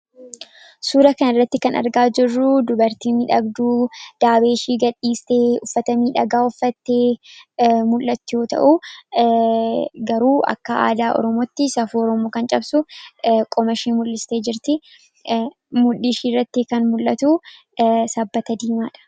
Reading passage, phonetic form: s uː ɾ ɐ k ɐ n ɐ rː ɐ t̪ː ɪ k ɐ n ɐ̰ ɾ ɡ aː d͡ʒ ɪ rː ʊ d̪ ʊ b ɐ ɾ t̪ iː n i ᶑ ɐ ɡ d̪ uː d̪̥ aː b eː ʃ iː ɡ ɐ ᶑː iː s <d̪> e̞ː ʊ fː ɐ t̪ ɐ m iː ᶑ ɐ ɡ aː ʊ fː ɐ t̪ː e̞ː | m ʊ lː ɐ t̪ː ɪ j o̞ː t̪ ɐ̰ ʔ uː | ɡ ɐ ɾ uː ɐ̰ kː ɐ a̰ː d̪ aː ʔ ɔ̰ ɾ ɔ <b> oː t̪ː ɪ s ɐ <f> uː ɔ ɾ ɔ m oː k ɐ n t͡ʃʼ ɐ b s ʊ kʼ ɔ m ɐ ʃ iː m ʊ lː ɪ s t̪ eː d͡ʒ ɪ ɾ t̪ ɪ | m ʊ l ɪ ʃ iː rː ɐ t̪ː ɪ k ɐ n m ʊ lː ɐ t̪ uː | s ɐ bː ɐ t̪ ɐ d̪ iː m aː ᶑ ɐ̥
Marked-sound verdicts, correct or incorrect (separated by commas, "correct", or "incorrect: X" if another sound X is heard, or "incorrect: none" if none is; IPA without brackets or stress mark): incorrect: t̪, incorrect: m, correct